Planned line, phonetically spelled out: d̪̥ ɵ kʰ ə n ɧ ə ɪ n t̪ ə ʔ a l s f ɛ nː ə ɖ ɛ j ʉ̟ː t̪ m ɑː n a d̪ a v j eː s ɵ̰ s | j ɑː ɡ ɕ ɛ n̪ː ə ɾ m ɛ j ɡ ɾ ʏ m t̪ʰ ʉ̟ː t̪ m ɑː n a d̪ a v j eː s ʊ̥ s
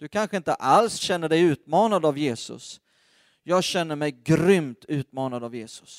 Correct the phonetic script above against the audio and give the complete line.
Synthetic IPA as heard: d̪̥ ɵ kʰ a n ɧ ə ɪ n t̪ ə ʔ a l s ɕ ɛ nː ə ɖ ɛ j ʉ̟ː t̪ m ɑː n a d̪ a v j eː s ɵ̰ s | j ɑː ɡ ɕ ɛ n̪ː ə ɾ m ɛ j ɡ ɾ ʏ m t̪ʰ ʉ̟ː t̪ m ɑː n a d̪ a v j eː s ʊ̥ s